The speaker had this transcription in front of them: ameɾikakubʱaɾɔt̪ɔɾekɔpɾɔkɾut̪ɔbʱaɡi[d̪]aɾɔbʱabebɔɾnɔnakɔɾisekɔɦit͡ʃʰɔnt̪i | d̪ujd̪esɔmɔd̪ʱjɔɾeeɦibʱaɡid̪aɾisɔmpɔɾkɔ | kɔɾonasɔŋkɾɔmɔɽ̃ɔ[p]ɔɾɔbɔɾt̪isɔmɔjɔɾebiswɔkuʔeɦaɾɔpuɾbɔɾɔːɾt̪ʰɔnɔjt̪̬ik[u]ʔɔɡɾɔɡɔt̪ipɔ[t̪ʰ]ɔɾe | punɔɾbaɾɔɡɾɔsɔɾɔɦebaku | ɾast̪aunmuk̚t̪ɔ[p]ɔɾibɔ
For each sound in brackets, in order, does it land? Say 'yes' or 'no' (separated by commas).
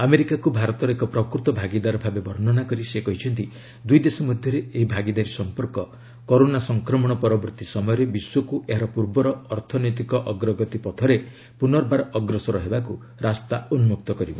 yes, yes, no, yes, no